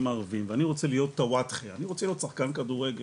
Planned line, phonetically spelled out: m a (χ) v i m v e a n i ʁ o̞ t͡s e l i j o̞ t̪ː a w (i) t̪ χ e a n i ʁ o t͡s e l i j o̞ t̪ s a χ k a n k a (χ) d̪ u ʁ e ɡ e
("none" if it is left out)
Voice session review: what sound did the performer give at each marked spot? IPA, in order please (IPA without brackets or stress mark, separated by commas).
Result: ʁ, a, none